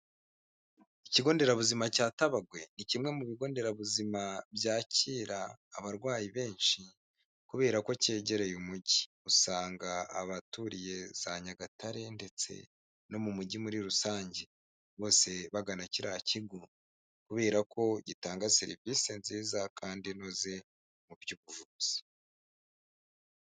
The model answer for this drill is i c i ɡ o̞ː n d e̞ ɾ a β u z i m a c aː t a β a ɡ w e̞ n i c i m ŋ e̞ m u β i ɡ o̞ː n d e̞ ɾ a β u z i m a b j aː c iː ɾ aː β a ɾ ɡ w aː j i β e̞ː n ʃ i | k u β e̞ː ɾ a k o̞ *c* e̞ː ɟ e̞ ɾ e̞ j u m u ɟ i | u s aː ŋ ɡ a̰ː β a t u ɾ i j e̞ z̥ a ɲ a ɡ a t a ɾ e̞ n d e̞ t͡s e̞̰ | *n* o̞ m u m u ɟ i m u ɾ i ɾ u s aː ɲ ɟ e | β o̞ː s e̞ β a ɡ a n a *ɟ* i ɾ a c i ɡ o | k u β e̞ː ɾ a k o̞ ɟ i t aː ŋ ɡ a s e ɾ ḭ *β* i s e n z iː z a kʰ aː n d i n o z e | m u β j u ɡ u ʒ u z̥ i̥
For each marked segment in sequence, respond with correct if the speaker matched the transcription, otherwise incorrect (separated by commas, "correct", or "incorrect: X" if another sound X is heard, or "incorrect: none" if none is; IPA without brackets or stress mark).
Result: correct, correct, incorrect: c, incorrect: v